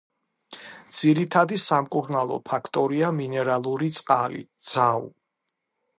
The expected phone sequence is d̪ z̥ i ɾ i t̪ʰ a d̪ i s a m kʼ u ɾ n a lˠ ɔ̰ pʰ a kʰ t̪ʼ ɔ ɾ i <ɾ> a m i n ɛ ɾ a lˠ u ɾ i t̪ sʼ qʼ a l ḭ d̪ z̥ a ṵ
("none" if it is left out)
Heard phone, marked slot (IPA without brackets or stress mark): none